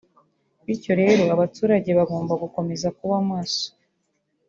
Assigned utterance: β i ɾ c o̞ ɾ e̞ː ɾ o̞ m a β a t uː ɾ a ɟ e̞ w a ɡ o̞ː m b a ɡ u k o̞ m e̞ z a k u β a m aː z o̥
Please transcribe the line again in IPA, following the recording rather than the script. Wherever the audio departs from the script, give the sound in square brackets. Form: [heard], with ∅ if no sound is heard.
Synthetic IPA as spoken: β i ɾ c o̞ ɾ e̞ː ɾ o̞ [∅] a β a t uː ɾ a ɟ e̞ [β] a ɡ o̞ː m b a ɡ u k o̞ m e̞ z a k u β a m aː [s] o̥